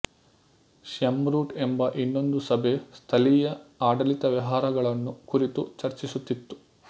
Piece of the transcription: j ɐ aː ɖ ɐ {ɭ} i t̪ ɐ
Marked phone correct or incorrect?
incorrect